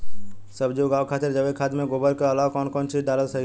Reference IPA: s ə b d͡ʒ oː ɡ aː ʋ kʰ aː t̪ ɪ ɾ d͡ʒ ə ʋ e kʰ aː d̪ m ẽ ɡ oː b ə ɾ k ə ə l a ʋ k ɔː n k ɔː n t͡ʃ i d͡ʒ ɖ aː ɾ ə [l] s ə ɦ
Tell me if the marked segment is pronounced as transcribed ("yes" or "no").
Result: yes